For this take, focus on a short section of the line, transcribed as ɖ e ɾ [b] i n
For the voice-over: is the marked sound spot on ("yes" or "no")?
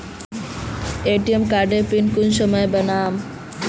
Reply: no